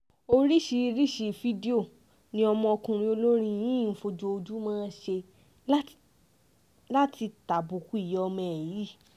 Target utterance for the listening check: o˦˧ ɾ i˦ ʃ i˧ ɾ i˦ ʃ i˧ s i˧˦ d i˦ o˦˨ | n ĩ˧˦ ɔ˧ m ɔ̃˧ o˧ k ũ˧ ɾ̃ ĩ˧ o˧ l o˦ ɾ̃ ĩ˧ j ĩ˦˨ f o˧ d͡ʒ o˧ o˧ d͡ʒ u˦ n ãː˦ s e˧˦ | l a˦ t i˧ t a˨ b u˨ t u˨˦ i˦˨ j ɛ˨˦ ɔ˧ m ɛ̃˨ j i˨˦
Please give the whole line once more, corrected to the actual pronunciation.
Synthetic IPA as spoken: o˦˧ ɾ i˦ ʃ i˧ ɾ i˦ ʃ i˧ f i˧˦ d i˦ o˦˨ | n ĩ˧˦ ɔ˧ m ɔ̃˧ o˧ k ũ˧ ɾ̃ ĩ˧ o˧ l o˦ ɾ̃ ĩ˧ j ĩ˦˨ f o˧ d͡ʒ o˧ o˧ d͡ʒ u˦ m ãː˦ ʃ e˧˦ | l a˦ t i˧ t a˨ b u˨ k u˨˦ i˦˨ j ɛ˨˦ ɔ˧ m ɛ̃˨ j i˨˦